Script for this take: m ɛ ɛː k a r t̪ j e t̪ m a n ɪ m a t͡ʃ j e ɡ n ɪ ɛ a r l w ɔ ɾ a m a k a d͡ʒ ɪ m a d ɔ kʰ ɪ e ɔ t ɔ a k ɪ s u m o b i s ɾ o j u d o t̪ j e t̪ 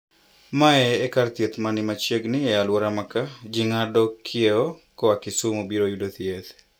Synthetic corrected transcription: m a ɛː k a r t̪ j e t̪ m a n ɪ m a t͡ʃ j e ɡ n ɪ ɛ a l w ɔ ɾ a m a k a d͡ʒ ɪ ŋ a d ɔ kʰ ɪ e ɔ k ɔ a k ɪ s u m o b i ɾ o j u d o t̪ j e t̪